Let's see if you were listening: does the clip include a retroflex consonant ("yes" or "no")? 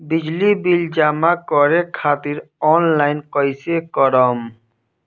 no